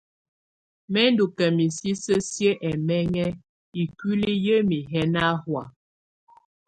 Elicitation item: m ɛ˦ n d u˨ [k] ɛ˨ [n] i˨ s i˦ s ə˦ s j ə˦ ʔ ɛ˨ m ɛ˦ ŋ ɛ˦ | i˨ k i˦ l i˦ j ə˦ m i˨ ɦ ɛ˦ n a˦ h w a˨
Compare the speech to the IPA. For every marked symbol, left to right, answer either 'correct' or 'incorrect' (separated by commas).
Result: correct, incorrect